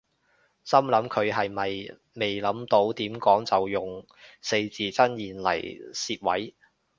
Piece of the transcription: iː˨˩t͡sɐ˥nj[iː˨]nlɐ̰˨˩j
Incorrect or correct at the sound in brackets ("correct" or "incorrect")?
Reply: correct